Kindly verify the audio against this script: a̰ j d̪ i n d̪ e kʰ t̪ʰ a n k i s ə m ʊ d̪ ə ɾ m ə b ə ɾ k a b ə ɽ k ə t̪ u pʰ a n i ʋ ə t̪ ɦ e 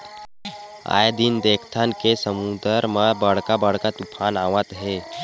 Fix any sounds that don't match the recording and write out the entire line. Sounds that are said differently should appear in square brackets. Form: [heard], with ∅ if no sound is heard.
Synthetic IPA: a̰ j d̪ i n d̪ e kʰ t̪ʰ a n k [e] s ə m [u] d̪ ə ɾ m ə b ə [ɽ] k a b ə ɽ k [a] t̪ u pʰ a n [a] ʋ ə t̪ ɦ e